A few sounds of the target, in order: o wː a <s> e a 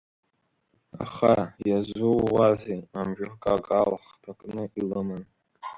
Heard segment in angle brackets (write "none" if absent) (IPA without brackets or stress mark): z